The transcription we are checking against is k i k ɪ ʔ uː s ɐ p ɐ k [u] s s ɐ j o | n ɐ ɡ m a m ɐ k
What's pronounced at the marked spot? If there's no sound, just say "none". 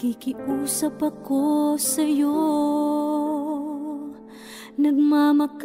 o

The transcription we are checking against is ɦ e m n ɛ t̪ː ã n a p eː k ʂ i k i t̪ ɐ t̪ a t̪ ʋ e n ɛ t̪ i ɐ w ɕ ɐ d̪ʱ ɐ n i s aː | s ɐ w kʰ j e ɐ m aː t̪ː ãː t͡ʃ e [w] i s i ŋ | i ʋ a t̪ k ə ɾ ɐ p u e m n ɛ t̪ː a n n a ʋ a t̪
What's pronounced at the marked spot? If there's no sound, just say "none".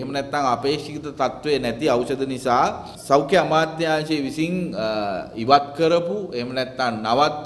ʋ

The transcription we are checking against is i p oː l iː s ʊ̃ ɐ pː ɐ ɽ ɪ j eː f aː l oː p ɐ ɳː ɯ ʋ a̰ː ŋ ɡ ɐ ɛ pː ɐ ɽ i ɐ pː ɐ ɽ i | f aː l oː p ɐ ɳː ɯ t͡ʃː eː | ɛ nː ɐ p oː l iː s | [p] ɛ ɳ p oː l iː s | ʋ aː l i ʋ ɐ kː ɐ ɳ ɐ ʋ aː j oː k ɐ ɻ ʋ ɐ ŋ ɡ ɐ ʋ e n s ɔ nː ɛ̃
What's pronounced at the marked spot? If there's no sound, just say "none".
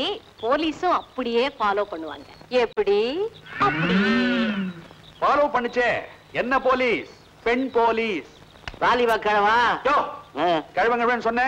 p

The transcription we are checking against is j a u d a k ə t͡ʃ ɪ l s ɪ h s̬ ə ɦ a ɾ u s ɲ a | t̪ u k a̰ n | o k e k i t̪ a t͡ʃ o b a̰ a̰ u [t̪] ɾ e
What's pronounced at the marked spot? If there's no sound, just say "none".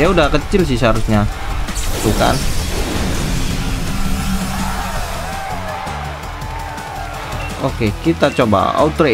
t̪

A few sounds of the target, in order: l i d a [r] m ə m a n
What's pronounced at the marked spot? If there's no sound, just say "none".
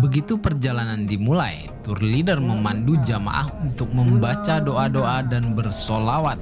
r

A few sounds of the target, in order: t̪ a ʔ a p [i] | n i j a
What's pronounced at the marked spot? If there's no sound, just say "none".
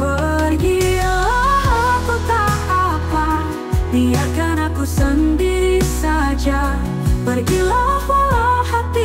a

